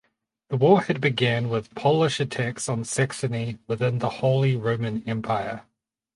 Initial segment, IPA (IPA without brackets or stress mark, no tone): ð